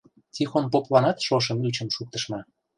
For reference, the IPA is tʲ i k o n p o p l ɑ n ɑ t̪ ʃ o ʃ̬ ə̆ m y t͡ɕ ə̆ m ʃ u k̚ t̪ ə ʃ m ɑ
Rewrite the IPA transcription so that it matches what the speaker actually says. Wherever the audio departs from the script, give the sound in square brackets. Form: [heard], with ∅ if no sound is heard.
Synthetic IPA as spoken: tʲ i [x] o n p o p l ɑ n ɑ t̪ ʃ o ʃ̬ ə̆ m y t͡ɕ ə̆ m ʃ u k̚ t̪ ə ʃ m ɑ